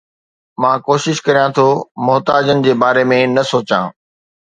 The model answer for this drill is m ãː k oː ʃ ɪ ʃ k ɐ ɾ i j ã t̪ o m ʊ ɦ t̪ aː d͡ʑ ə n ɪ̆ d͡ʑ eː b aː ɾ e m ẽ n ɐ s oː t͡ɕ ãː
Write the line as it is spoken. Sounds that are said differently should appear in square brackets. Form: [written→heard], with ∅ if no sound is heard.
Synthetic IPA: m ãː k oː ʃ ɪ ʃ k ɐ ɾ i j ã [t̪→t̪ʰ] o m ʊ ɦ t̪ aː d͡ʑ ə n ɪ̆ d͡ʑ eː b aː ɾ e m ẽ n ɐ s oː t͡ɕ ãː